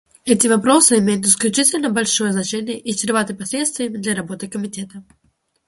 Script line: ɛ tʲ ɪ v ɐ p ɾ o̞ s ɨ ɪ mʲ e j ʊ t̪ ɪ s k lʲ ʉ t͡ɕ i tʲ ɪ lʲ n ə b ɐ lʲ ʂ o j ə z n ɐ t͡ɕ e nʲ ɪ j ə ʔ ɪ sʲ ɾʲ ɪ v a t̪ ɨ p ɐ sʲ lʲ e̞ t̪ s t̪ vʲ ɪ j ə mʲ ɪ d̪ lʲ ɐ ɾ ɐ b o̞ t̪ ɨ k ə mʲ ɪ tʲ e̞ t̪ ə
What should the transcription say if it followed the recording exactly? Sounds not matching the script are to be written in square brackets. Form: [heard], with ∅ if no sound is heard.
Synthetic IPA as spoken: ɛ tʲ ɪ v ɐ p ɾ o̞ s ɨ ɪ mʲ e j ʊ t̪ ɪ s k lʲ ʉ t͡ɕ i tʲ ɪ lʲ n ə b ɐ lʲ ʂ o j ə z n ɐ t͡ɕ e nʲ ɪ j ə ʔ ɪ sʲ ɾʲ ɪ v a t̪ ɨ p ɐ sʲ lʲ e̞ t̪ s t̪ vʲ ɪ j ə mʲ ɪ d̪ lʲ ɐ ɾ ɐ b o̞ t̪ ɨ k ə mʲ ɪ tʲ e̞ t̪ ə

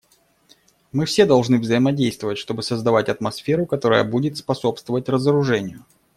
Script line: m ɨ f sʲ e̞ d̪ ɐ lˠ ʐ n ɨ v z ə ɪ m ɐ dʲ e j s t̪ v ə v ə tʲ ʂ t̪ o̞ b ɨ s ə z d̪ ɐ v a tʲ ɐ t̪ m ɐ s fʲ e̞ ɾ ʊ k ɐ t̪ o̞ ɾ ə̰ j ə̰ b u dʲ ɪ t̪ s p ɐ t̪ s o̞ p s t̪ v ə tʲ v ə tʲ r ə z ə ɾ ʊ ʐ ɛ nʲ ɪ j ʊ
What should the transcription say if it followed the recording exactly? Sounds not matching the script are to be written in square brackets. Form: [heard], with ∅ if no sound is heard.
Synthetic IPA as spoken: m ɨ f sʲ e̞ d̪ ɐ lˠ ʐ n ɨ v z ə ɪ m ɐ dʲ e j s t̪ v ə v ə tʲ ʂ t̪ o̞ b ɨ s ə z d̪ ɐ v a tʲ ɐ t̪ m ɐ s fʲ e̞ ɾ ʊ k ɐ t̪ o̞ ɾ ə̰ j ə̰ b u dʲ ɪ t̪ s p ɐ [∅] s o̞ p s t̪ v ə [∅] v ə tʲ r ə z ə ɾ ʊ ʐ ɛ nʲ ɪ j ʊ

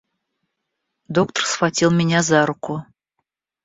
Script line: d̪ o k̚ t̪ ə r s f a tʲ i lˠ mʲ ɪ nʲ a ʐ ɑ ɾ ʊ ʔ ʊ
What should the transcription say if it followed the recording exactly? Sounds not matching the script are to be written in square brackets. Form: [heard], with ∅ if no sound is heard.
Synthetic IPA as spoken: d̪ o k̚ t̪ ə r s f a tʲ i lˠ mʲ ɪ nʲ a [z] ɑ ɾ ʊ [k] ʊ

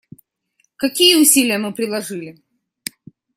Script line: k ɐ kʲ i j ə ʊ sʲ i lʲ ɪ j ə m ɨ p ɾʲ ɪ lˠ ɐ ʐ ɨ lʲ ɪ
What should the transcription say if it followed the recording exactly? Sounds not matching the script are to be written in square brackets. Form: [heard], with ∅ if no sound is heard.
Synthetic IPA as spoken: k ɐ kʲ i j ə ʊ sʲ i lʲ ɪ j ə m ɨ p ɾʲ ɪ lˠ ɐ ʐ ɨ lʲ ɪ

